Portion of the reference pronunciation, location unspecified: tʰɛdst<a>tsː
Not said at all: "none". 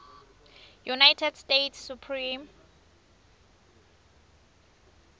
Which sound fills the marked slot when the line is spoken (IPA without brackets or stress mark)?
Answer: e